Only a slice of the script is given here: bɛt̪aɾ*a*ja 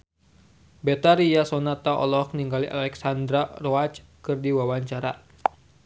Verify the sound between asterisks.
incorrect: i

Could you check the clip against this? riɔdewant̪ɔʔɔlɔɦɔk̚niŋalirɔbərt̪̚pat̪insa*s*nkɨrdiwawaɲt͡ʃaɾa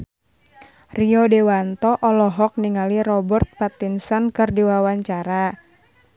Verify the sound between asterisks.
incorrect: none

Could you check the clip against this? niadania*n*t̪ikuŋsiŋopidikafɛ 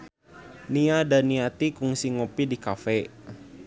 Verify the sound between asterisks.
incorrect: none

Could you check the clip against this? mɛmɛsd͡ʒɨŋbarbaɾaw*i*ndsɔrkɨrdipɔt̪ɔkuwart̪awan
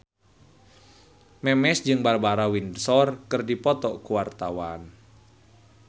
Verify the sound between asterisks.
correct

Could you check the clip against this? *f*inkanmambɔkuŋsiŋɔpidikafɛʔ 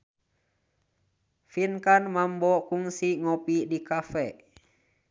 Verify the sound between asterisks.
correct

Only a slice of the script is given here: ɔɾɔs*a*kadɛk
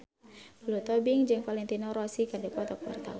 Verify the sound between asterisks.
incorrect: i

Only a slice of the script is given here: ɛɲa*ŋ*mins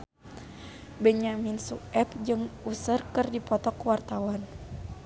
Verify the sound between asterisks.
incorrect: none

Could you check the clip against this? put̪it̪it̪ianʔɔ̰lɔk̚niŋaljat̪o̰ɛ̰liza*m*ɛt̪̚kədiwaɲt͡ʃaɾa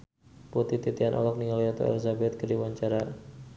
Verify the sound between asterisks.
incorrect: b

